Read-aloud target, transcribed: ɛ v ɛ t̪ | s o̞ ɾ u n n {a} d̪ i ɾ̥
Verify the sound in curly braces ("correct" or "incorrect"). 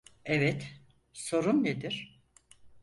incorrect